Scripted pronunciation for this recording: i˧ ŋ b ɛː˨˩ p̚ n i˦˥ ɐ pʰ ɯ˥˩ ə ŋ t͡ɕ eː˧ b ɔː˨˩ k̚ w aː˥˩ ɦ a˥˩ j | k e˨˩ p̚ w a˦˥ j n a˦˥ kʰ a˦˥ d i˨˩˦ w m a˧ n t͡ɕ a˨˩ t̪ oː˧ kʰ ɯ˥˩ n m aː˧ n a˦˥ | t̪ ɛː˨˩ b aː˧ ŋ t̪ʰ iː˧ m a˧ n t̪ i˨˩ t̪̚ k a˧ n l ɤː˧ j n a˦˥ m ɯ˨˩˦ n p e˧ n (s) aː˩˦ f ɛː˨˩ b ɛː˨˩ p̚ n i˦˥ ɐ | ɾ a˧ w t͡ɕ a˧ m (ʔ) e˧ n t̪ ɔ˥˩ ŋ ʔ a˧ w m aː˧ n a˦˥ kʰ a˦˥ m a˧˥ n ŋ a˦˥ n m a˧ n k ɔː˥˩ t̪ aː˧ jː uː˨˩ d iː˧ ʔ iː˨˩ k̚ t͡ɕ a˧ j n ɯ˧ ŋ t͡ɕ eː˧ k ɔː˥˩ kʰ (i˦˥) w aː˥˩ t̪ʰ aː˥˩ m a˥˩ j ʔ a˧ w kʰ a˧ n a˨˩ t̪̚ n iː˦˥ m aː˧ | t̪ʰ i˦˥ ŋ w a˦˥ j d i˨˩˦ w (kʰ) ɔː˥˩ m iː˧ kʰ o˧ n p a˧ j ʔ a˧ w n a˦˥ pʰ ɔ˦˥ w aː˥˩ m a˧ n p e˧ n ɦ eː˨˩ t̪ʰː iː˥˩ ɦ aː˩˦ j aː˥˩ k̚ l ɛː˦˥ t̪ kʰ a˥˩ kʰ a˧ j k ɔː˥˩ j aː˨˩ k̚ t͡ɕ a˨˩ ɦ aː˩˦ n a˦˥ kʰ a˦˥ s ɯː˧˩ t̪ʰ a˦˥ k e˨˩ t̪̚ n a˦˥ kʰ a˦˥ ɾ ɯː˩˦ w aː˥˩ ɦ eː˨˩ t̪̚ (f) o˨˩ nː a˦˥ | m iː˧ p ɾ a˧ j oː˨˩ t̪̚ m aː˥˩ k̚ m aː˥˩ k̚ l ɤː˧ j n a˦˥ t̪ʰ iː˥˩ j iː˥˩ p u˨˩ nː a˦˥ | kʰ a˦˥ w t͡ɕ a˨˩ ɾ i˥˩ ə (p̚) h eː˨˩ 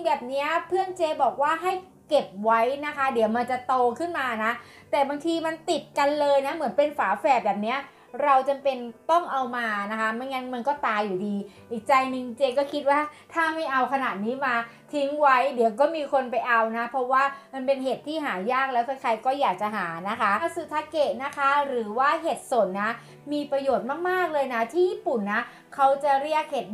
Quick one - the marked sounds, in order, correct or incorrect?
incorrect, incorrect, correct, incorrect, incorrect, incorrect

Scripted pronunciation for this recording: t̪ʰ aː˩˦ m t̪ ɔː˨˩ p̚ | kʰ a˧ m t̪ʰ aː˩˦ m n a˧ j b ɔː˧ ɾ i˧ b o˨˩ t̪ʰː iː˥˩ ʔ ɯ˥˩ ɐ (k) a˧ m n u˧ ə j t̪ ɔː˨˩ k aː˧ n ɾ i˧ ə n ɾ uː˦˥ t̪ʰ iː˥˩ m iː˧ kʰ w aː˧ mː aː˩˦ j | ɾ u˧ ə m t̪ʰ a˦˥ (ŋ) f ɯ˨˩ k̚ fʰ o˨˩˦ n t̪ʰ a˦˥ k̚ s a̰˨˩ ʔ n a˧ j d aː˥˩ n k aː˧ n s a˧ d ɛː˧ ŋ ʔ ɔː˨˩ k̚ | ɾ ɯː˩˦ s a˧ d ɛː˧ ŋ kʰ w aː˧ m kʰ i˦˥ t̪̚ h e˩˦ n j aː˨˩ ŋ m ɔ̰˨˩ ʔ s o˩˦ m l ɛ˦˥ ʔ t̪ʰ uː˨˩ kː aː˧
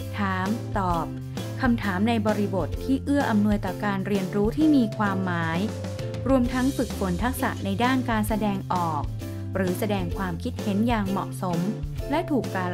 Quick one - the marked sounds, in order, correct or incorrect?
incorrect, correct

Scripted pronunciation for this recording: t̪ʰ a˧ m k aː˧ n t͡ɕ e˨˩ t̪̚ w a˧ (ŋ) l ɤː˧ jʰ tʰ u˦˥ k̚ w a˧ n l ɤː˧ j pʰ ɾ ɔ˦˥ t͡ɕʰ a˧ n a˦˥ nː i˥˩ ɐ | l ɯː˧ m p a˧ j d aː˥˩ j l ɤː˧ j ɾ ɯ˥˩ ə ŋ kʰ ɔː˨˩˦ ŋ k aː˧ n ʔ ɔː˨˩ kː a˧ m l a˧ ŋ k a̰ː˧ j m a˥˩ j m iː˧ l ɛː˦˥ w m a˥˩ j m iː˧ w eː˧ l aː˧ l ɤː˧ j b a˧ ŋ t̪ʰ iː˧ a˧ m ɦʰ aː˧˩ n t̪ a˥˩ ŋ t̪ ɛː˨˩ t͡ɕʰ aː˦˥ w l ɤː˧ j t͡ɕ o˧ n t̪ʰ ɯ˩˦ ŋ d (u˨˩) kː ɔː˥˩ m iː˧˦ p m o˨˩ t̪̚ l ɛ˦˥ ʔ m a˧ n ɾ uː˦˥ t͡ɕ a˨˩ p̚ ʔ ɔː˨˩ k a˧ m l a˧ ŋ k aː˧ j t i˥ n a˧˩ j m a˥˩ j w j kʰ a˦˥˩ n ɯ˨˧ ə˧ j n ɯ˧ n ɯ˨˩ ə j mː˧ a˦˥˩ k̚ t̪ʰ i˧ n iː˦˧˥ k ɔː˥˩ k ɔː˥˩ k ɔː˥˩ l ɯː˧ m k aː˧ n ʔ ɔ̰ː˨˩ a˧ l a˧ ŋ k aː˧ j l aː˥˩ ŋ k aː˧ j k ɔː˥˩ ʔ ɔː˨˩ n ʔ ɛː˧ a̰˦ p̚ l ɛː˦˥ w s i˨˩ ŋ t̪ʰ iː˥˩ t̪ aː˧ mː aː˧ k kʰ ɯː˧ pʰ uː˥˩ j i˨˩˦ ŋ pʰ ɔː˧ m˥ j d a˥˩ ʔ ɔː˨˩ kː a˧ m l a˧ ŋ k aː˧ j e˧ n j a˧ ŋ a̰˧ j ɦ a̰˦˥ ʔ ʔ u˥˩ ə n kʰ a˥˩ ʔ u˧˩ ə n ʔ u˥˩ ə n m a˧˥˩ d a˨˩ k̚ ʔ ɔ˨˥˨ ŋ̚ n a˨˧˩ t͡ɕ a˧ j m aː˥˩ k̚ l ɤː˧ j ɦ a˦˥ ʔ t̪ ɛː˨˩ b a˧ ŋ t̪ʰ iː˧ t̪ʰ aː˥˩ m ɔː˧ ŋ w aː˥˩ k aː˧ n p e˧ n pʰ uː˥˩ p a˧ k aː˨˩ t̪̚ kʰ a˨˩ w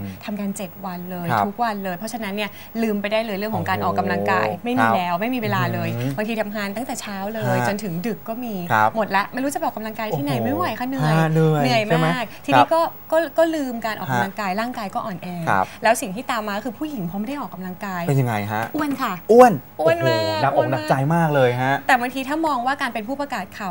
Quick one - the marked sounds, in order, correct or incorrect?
incorrect, incorrect

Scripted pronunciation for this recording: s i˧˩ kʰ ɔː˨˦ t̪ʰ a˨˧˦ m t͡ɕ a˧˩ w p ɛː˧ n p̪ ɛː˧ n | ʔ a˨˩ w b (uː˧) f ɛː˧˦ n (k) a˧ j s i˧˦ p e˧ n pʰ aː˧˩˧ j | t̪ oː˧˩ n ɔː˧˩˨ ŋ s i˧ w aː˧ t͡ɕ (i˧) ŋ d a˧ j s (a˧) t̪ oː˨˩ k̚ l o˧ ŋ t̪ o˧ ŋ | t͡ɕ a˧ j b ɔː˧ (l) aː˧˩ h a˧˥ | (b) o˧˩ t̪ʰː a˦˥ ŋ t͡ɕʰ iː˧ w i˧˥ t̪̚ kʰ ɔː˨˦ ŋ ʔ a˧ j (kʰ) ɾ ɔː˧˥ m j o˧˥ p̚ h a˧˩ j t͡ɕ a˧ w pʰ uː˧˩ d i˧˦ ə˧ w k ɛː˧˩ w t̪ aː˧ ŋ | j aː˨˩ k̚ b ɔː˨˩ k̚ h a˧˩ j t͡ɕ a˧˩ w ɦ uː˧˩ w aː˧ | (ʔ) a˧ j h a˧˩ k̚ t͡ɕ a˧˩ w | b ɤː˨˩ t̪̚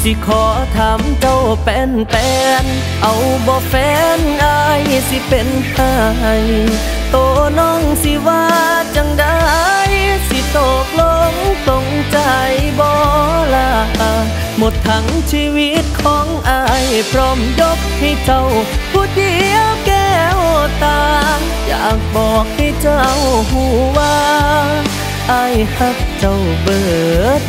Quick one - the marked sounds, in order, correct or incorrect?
incorrect, incorrect, incorrect, incorrect, correct, incorrect, incorrect, correct

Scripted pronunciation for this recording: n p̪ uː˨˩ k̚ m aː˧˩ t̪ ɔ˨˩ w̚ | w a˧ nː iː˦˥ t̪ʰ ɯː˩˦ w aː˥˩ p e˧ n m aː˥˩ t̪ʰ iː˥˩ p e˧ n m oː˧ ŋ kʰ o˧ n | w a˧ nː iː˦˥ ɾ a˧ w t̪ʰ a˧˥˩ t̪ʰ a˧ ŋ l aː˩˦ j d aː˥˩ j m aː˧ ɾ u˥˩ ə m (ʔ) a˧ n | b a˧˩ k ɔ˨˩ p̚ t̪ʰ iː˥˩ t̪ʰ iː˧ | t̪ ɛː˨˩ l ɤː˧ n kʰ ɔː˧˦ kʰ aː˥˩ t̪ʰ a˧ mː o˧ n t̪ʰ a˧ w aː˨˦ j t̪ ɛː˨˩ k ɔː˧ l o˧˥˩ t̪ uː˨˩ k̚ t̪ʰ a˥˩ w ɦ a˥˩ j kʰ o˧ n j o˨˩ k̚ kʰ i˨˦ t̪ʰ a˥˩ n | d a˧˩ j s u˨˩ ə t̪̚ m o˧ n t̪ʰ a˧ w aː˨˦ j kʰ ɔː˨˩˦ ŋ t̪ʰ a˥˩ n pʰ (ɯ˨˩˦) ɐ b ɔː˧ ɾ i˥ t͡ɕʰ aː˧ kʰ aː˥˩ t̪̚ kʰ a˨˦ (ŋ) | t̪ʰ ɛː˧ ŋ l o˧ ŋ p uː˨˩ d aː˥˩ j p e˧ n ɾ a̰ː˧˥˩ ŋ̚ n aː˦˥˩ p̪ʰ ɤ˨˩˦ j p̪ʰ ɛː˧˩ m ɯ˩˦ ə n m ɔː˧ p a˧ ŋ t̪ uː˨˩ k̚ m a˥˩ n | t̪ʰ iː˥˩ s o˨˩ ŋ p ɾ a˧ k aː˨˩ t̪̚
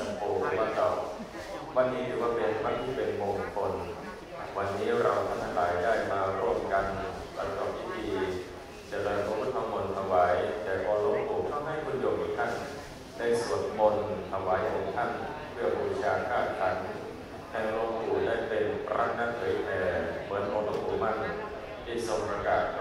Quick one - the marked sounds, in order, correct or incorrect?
incorrect, incorrect, incorrect

